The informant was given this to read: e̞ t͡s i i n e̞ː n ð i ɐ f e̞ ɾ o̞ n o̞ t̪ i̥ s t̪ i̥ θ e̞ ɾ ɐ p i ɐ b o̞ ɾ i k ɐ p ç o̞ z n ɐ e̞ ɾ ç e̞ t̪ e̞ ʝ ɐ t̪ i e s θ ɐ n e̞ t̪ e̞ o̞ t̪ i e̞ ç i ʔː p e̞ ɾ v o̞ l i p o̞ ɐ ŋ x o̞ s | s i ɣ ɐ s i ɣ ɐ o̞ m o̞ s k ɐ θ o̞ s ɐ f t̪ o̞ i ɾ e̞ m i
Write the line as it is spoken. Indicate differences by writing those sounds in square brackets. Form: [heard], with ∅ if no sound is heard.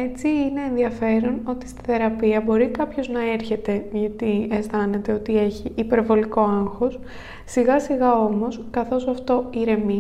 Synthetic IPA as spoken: e̞ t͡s i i n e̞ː n ð i ɐ f e̞ ɾ o̞ n o̞ t̪ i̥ s t̪ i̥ θ e̞ ɾ ɐ p i ɐ b o̞ ɾ i k ɐ p ç o̞ z n ɐ e̞ ɾ ç e̞ t̪ e̞ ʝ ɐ t̪ i e s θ ɐ n e̞ t̪ e̞ o̞ t̪ i e̞ ç i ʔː p e̞ ɾ v o̞ l i [k] o̞ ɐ ŋ x o̞ s | s i ɣ ɐ s i ɣ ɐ o̞ m o̞ s k ɐ θ o̞ s ɐ f t̪ o̞ i ɾ e̞ m i